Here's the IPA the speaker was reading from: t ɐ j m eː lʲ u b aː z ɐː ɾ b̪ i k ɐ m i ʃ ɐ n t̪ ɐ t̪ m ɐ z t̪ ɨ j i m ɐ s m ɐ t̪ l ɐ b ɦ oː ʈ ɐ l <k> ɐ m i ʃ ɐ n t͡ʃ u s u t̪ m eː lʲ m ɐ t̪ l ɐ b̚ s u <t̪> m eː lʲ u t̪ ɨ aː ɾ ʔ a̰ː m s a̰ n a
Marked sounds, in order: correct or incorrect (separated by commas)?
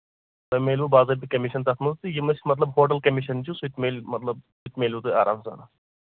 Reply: correct, correct